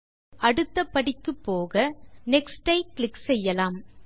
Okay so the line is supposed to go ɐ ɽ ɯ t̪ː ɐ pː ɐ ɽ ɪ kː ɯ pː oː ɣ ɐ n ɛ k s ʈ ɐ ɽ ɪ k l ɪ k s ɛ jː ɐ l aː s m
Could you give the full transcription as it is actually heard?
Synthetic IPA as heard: ɐ ɽ ɯ t̪ː ɐ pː ɐ ɽ ɪ kː ɯ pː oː ɣ ɐ n ɛ k s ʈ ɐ ɪ k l ɪ k s ɛ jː ɐ l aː m